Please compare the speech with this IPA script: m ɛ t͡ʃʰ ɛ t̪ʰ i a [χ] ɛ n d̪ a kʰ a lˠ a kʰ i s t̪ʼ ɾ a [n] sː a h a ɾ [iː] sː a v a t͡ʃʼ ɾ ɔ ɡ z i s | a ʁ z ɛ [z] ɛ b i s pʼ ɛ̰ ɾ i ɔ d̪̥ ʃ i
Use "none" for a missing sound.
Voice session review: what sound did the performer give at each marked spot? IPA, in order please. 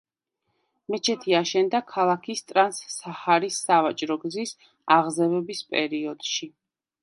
ʃ, n, i, v

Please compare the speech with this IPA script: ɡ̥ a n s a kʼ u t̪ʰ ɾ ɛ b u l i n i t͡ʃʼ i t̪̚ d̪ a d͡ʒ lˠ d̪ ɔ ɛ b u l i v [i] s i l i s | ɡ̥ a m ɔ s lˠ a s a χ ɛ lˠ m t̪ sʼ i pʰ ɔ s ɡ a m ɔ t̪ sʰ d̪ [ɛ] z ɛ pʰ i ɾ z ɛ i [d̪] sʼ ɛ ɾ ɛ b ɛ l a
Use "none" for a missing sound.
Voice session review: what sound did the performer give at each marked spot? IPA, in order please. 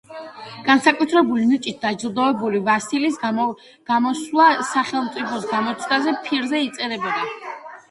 a, a, t̪

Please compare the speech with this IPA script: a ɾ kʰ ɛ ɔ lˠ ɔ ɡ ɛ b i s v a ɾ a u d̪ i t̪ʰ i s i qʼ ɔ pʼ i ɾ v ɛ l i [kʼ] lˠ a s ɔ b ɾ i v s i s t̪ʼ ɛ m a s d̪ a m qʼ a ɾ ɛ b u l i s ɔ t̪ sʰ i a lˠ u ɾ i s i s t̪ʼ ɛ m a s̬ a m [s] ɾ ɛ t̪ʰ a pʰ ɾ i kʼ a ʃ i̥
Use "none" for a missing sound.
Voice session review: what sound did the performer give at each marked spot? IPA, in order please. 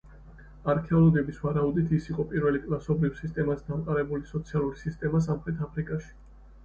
kʼ, χ

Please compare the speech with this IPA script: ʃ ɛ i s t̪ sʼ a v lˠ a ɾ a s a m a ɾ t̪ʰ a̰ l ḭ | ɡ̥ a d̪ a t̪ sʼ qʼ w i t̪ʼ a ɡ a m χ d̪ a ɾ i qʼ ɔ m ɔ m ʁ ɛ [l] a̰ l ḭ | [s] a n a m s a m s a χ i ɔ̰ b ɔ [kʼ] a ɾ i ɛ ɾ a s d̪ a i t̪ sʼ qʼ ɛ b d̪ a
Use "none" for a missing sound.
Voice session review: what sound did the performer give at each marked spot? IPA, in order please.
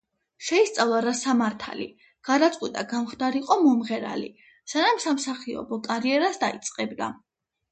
ɾ, s, kʼ

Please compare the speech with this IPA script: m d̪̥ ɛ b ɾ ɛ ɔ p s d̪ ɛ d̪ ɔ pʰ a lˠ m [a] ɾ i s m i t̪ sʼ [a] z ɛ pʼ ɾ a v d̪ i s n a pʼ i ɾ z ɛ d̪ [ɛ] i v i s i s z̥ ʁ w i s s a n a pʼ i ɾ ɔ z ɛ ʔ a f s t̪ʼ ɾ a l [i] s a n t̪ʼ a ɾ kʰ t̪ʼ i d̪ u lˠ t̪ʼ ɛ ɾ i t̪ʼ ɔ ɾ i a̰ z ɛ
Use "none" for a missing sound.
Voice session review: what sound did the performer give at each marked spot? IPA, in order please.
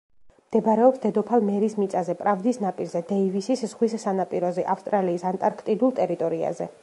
ɛ, a, ɛ, iː

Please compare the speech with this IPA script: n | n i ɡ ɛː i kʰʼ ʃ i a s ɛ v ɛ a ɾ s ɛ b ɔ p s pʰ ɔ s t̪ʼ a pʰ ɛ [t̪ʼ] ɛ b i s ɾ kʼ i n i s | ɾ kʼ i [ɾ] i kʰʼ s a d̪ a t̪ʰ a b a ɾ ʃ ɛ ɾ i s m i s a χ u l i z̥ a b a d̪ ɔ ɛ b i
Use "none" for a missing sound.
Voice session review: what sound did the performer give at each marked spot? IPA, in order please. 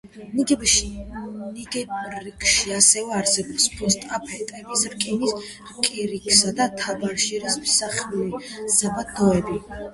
t̪ʼ, ɾ

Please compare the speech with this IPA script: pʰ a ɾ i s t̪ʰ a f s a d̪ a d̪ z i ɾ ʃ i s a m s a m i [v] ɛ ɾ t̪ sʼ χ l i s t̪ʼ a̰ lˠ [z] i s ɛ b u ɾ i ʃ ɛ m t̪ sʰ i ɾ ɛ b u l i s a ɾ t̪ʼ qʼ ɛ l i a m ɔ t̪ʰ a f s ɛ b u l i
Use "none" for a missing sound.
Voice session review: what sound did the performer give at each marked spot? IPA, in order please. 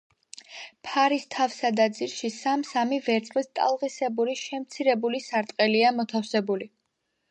v, ʁ

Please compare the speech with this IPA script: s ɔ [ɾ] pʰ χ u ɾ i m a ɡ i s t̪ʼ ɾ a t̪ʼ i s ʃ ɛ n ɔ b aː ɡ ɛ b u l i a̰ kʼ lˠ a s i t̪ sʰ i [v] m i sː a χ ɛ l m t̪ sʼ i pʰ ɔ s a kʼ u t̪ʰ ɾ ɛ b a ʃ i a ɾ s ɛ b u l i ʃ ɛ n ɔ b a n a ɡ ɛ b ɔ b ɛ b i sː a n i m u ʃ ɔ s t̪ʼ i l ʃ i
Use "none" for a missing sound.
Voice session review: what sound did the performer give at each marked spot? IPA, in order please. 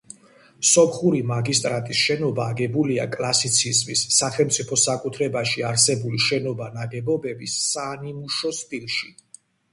none, z

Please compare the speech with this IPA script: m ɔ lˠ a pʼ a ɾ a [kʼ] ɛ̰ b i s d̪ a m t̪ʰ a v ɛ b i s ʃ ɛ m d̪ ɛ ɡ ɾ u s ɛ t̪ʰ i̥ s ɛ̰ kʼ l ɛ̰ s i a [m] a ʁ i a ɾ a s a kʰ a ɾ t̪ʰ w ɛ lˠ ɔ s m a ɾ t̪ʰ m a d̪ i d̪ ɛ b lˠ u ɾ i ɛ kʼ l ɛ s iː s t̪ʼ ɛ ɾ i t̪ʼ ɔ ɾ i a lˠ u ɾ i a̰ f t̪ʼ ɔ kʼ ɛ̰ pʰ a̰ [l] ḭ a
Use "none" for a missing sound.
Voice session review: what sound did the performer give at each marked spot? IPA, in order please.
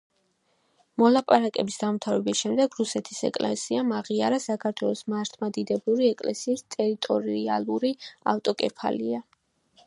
kʼ, m, l

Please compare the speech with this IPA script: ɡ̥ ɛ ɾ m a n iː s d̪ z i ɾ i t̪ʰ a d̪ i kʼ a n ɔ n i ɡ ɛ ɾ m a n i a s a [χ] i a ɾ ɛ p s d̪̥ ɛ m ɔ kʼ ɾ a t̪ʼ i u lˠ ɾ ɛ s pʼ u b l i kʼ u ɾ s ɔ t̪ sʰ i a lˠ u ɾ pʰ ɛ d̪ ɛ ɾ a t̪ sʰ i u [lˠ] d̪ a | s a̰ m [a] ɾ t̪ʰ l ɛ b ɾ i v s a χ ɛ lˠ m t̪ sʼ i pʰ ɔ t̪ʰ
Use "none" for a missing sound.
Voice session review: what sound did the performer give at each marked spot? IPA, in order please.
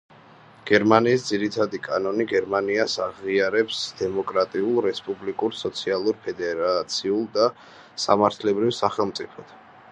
ʁ, lˠ, a

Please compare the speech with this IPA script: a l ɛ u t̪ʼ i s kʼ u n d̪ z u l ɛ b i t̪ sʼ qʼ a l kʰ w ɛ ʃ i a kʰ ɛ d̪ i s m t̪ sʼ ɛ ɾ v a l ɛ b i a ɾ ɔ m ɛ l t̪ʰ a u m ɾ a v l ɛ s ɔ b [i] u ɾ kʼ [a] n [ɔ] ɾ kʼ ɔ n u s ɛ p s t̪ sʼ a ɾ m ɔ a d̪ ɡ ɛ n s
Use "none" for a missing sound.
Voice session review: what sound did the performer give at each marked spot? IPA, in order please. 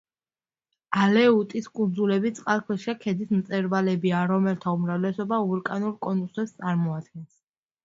a, a, u

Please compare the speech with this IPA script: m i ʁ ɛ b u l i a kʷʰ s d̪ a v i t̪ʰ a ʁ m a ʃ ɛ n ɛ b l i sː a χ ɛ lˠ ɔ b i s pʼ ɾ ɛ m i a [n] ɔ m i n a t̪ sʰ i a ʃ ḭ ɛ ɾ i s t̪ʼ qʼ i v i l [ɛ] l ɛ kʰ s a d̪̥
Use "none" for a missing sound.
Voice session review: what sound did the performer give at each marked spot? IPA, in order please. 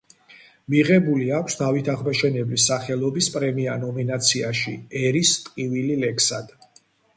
n, i

